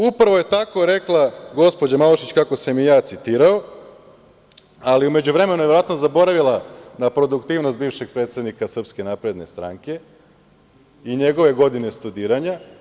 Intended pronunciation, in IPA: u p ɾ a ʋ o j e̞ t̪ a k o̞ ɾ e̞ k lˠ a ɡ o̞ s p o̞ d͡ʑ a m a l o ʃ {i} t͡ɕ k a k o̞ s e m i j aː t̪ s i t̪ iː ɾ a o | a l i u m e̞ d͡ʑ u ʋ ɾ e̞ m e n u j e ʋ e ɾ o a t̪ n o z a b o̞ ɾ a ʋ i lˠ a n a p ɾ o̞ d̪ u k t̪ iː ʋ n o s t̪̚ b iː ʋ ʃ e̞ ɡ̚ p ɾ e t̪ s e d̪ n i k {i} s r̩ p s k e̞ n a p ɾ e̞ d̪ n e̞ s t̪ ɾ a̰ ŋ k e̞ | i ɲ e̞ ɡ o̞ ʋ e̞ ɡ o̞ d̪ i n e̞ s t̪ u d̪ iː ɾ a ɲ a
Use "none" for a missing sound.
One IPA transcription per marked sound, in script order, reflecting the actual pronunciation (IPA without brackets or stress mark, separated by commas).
i, a